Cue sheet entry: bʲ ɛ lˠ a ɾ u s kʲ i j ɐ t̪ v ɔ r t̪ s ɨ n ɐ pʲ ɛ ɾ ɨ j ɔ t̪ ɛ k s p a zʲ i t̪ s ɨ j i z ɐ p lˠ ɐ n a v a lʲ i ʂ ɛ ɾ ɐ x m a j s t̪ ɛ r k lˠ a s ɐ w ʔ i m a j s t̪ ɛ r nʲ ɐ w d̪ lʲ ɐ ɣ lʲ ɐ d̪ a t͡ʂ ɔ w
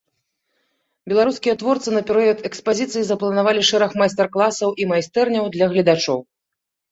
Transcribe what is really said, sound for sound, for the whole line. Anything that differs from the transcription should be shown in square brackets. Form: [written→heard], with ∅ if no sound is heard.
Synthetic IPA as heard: bʲ ɛ lˠ a ɾ u s kʲ i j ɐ t̪ v ɔ r t̪ s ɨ n ɐ pʲ ɛ ɾ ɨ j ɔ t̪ ɛ k s p a zʲ i t̪ s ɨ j i z ɐ p lˠ ɐ n a v a lʲ i ʂ ɛ ɾ ɐ x m a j s t̪ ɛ r k lˠ a s ɐ w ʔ i m a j s t̪ ɛ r nʲ ɐ w d̪ lʲ ɐ ɣ lʲ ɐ d̪ a t͡ʂ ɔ w